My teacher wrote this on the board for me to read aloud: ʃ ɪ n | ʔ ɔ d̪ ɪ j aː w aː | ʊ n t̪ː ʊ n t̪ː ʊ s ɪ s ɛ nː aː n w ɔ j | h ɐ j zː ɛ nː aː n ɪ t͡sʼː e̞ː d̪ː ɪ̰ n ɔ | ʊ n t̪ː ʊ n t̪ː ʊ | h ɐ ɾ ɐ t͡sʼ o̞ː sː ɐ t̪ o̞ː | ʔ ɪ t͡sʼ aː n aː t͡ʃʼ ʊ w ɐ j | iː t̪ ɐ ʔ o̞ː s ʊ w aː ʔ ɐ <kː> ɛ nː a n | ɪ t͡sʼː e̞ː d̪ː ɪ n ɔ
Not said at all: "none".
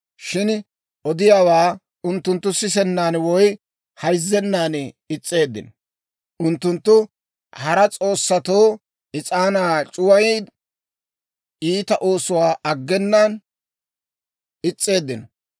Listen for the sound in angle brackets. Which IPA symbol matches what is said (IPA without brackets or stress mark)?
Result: ɡː